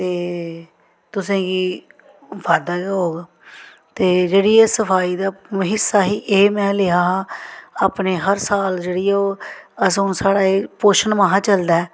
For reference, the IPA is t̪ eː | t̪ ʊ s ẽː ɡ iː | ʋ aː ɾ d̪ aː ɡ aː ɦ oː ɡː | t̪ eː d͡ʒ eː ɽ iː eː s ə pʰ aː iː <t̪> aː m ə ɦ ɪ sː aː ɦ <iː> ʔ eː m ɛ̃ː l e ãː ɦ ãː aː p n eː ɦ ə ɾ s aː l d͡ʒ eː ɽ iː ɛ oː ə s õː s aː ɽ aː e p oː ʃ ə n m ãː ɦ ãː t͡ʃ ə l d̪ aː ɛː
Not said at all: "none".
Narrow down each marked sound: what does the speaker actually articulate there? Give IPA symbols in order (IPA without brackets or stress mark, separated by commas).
d̪, iː